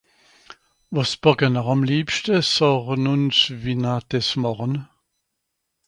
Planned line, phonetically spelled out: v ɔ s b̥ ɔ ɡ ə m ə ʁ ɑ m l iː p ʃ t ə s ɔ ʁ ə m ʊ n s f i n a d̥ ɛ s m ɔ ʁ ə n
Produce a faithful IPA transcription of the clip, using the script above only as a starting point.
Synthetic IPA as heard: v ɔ s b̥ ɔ ɡ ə n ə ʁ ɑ m l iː p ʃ t ə s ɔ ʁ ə n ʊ n s v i n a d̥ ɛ s m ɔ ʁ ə n